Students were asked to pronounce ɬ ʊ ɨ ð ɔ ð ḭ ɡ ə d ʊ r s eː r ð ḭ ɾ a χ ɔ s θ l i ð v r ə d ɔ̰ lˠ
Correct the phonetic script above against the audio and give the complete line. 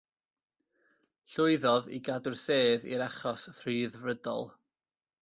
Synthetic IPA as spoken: ɬ ʊ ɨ ð ɔ ð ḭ ɡ a d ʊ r s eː ð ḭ ɾ a χ ɔ s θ r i ð v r ə d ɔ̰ lˠ